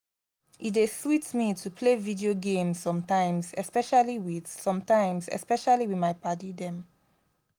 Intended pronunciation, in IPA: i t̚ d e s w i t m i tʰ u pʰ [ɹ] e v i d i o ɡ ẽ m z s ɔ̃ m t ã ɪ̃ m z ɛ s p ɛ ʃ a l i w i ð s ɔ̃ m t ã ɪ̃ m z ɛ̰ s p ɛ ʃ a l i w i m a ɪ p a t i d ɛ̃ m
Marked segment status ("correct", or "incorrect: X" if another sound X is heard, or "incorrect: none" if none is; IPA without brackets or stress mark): incorrect: l